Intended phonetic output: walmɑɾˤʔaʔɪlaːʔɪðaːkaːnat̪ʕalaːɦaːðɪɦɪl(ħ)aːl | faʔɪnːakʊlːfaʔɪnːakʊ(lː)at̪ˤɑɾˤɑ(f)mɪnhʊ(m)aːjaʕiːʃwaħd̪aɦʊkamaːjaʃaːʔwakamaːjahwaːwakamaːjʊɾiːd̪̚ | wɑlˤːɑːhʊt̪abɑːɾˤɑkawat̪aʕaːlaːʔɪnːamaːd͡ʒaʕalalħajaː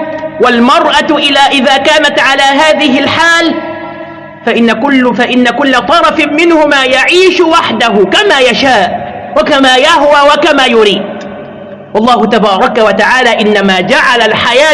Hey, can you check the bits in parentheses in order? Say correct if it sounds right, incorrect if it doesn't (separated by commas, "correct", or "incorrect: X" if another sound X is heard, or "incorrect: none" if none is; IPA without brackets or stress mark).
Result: correct, correct, correct, correct